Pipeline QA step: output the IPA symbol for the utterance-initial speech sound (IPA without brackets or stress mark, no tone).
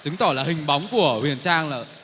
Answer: t͡ɕ